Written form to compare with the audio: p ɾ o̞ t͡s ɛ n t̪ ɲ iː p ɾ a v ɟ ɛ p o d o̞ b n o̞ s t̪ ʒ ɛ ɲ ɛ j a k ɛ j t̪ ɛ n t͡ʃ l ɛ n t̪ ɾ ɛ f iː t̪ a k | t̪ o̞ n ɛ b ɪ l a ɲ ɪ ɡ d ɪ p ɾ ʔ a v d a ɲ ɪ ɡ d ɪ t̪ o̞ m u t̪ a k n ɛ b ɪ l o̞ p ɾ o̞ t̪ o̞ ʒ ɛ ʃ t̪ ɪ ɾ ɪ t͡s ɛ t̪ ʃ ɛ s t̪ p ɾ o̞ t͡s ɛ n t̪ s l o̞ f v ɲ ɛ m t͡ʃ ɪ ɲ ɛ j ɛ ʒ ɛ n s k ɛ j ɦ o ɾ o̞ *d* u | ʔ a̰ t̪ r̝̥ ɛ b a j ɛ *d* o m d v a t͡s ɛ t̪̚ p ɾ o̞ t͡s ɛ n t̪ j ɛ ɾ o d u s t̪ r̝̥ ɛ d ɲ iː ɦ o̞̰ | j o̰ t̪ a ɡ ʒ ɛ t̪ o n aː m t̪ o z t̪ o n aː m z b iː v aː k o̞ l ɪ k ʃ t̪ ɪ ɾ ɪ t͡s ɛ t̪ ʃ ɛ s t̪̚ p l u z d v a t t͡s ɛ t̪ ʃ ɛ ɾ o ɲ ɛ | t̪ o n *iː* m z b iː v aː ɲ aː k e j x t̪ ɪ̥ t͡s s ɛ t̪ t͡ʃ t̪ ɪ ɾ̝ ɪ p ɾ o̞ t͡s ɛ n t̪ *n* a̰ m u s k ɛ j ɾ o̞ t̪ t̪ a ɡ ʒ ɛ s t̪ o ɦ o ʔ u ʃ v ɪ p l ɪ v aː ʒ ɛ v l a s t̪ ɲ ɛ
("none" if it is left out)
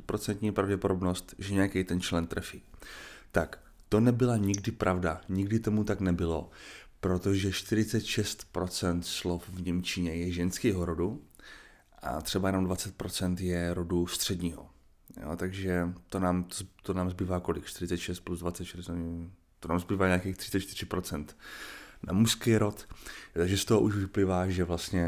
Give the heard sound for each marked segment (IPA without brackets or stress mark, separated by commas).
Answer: d, n, aː, n